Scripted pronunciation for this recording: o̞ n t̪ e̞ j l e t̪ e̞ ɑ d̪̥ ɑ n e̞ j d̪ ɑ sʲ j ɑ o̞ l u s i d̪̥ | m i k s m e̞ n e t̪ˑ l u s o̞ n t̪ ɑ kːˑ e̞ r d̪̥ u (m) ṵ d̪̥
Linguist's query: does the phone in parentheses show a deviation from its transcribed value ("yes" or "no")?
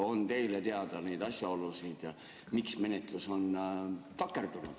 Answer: yes